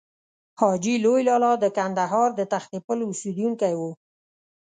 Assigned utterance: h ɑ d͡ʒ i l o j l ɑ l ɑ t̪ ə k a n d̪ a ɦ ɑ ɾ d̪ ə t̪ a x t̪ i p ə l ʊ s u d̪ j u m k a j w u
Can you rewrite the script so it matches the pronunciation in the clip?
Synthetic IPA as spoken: h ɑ d͡ʒ i l o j l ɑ l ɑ d̪ ə k a n d̪ a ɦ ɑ ɾ d̪ ə t̪ a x t̪ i p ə l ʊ s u d̪ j u ŋ k a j w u

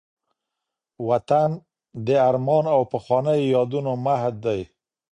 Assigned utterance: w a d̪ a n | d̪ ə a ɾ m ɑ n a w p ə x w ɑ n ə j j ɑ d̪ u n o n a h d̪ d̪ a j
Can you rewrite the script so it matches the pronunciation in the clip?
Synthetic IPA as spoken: w a t̪ a n | d̪ ə a ɾ m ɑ n a w p ə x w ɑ n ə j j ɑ d̪ u n o m a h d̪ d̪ a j

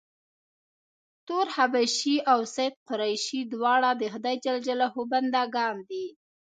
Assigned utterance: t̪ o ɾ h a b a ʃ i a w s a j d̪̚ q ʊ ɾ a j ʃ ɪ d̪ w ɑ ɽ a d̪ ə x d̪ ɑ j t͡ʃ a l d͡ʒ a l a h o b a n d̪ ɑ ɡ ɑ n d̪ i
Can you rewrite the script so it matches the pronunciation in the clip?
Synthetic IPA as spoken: t̪ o ɾ h a b a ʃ i a w s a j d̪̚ q ʊ ɾ a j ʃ i d̪ w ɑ ɽ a d̪ ə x d̪ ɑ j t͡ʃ a l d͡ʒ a l a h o b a n d̪ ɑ ɡ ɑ n d̪ i

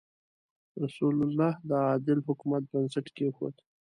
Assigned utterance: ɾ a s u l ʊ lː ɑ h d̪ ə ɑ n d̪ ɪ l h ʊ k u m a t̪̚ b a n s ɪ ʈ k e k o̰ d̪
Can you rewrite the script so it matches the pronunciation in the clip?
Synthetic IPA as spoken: ɾ a s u l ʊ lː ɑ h d̪ ə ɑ d̪ ɪ l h ʊ k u m a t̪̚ b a n s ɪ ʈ k e x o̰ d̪

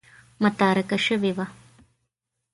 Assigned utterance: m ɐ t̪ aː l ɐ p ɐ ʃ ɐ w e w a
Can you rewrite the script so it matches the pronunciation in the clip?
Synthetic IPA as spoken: m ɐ t̪ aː ɾ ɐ k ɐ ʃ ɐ ʋ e ʋ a

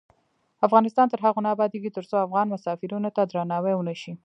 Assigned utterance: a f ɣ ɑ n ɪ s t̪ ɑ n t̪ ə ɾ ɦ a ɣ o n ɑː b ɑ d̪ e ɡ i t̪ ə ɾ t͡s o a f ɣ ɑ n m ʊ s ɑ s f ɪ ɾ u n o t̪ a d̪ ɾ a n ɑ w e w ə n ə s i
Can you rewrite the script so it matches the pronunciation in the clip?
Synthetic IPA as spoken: a f ɣ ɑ n ɪ s t̪ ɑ n t̪ ə ɾ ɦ a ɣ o n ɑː b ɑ d̪ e ɡ i t̪ ə ɾ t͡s o a f ɣ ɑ n m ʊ s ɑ f ɪ ɾ u n o t̪ a d̪ ɾ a n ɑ w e w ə n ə ʃ i

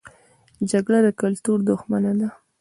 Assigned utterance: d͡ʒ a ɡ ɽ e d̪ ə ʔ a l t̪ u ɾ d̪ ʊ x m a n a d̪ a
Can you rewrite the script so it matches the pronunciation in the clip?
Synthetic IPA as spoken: d͡ʒ a ɡ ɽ a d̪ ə k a l t̪ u ɾ d̪ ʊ x m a n a d̪ a

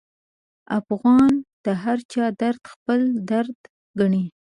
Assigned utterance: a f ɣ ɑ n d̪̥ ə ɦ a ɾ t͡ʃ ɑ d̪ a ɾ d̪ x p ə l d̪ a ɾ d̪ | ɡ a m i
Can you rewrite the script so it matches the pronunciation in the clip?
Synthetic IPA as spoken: a f ɣ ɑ n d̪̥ ə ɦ a ɾ t͡ʃ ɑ d̪ a ɾ d̪ x p ə l d̪ a ɾ d̪ | ɡ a ɳ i

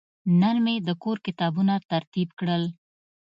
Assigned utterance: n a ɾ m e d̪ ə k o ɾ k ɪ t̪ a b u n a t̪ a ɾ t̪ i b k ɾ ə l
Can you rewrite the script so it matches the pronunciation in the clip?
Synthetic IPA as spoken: n a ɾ m e d̪ ə k o ɾ k ɪ t̪ ɑ b u n a t̪ a ɾ t̪ i b k ɽ ə l

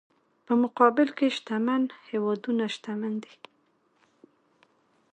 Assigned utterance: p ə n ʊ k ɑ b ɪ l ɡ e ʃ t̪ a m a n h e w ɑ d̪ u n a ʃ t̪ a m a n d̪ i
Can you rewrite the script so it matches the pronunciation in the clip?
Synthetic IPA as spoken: p ə m ʊ q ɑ b ɪ l k e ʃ t̪ a m a n h e w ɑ d̪ u n a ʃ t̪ a m a n d̪ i

